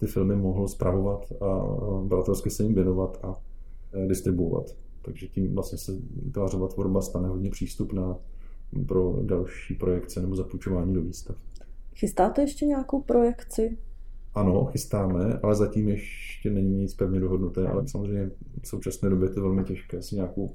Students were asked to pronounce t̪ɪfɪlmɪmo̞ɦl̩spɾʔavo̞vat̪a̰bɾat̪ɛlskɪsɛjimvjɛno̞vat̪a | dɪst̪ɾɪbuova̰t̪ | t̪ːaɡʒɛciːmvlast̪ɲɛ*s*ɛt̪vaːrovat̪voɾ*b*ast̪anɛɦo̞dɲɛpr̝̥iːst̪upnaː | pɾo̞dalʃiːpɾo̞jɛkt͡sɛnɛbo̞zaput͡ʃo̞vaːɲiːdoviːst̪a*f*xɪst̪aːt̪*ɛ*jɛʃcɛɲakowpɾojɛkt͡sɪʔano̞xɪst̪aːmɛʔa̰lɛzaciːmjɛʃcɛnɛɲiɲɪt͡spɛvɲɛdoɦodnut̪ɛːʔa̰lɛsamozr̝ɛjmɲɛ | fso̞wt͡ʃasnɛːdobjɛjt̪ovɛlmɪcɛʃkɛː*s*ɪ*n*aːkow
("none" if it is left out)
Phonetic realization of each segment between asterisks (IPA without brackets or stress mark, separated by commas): s, b, f, ɛ, s, ɲ